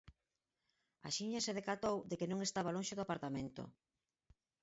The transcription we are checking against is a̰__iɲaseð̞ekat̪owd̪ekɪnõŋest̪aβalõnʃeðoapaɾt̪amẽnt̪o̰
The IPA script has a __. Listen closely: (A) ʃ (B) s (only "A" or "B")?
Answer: A